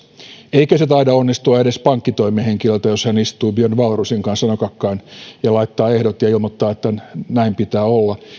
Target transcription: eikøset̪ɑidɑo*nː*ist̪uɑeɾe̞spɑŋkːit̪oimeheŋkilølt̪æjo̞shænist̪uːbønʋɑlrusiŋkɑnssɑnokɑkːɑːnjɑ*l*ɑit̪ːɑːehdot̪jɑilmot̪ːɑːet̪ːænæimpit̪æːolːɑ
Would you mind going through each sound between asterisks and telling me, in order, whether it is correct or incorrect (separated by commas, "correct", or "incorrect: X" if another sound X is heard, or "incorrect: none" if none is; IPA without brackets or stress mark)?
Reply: correct, correct